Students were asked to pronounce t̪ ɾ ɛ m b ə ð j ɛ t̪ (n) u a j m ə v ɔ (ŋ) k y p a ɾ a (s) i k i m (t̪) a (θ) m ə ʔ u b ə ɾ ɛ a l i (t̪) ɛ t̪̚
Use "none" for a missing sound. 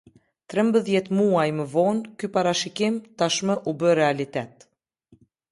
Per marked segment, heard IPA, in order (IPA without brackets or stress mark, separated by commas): m, n, ʃ, t̪, ʃ, t̪